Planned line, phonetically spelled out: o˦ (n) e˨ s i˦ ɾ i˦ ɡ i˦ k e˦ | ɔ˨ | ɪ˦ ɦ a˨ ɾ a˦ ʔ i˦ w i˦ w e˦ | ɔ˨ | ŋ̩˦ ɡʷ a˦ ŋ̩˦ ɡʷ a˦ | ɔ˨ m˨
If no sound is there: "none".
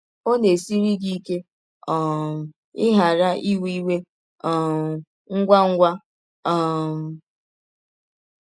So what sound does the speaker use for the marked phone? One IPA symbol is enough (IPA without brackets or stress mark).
n